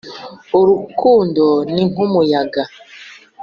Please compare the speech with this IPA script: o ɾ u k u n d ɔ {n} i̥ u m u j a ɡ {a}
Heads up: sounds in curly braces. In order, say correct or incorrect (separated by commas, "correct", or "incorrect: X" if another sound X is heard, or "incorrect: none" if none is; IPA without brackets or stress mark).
correct, correct